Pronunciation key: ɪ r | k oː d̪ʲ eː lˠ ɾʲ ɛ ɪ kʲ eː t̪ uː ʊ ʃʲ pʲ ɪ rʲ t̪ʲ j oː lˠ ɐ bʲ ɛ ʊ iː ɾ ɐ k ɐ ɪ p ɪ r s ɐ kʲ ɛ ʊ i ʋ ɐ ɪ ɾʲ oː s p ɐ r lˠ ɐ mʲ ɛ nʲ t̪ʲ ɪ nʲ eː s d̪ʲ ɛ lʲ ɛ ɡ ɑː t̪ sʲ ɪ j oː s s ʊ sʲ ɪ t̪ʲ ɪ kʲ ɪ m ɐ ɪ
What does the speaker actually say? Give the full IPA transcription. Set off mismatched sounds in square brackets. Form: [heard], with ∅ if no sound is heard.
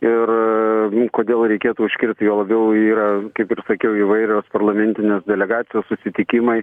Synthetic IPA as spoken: ɪ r | k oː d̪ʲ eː lˠ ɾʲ ɛ ɪ kʲ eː t̪ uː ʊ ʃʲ [kʲ] ɪ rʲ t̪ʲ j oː lˠ ɐ bʲ ɛ ʊ iː ɾ ɐ k ɐ ɪ p ɪ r s ɐ kʲ ɛ ʊ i ʋ ɐ ɪ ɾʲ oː s p ɐ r lˠ ɐ mʲ ɛ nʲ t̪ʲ ɪ nʲ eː s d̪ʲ ɛ lʲ ɛ ɡ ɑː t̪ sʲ ɪ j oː s s ʊ sʲ ɪ t̪ʲ ɪ kʲ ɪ m ɐ ɪ